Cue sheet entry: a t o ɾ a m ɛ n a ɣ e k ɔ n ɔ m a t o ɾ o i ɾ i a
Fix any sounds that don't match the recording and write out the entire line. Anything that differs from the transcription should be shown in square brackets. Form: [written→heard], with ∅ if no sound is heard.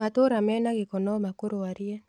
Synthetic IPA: a t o ɾ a m ɛ n a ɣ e k ɔ n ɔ m a [t→k] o ɾ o [i→a] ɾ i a